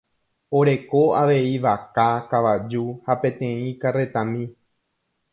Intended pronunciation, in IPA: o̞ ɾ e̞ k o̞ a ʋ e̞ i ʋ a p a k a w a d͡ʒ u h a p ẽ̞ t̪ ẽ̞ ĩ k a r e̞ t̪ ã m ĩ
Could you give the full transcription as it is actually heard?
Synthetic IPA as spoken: o̞ ɾ e̞ k o̞ a ʋ e̞ i ʋ a k a k a ʋ a d͡ʒ u h a p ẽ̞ t̪ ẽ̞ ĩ k a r e̞ t̪ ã m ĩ

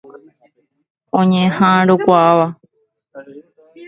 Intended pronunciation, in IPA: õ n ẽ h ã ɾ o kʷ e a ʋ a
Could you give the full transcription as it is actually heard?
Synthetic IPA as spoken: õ ɲ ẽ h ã ɾ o kʷ a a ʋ a

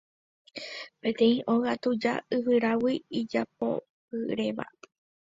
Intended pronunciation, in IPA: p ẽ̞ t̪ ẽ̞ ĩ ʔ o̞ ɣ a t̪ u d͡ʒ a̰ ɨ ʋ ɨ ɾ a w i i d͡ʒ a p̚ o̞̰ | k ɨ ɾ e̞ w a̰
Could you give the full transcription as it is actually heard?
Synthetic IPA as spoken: p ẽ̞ t̪ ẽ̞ ĩ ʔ o̞ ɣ a t̪ u d͡ʒ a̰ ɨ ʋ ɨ ɾ a w i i d͡ʒ a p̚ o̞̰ | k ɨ ɾ e̞ ʋ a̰

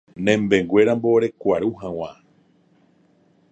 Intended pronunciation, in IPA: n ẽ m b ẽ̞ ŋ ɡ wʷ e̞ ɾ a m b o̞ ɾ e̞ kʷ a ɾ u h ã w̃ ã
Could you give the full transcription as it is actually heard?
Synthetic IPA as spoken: n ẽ m b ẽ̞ ŋ ɡ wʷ e̞ ɾ a m b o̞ ɾ e̞ kʷ a ɾ u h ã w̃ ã

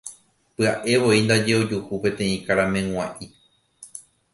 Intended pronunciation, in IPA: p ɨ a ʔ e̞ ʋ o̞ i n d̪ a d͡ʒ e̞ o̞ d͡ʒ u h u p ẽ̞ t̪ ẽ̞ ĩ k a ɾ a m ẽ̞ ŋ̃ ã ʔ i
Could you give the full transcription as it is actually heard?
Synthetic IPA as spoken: p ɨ a ʔ e̞ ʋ o̞ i n d̪ a d͡ʒ e̞ o̞ d͡ʒ u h u p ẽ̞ t̪ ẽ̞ ĩ k a ɾ a m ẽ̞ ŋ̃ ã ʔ i

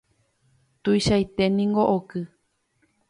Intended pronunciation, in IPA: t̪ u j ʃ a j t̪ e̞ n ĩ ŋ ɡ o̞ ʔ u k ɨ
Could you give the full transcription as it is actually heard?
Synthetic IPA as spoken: t̪ u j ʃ a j t̪ e̞ n ĩ ŋ ɡ o̞ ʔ o k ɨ

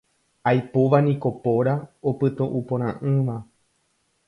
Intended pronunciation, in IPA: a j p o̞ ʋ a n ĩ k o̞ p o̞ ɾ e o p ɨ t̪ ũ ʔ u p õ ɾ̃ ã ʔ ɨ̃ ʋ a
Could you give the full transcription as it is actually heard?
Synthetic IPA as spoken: a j p o̞ ʋ a n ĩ k o̞ p o̞ ɾ a o p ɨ t̪ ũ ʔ u p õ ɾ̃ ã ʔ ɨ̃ ʋ a

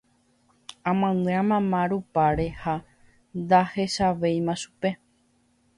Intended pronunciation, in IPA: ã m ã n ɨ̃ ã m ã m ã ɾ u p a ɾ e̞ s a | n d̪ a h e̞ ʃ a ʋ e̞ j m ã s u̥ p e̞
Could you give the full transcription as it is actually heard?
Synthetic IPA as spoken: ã m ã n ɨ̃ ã m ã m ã ɾ u p a ɾ e̞ h a | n d̪ a h e̞ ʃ a ʋ e̞ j m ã ʃ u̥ p e̞

